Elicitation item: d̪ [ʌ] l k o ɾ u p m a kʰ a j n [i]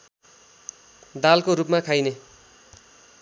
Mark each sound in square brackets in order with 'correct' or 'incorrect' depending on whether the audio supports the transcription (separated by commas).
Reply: incorrect, incorrect